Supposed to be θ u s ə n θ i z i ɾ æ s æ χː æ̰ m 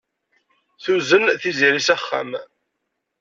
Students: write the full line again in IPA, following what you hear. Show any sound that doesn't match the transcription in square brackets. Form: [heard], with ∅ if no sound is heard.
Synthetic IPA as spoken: θ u [z] ə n θ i z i ɾ [i] s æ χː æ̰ m